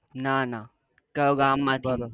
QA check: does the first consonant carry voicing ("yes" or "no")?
yes